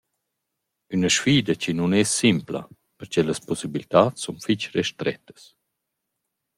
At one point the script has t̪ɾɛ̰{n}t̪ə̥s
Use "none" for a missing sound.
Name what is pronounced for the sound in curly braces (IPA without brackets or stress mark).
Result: none